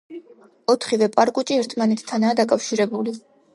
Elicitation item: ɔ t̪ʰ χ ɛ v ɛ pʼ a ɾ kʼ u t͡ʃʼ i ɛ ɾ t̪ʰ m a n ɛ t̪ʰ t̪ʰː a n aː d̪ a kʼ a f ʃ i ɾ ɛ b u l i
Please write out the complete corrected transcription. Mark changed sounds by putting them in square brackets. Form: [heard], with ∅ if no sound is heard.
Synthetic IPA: ɔ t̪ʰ χ [i] v ɛ pʼ a ɾ kʼ u t͡ʃʼ i ɛ ɾ t̪ʰ m a n ɛ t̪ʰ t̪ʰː a n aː d̪ a kʼ a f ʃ i ɾ ɛ b u l i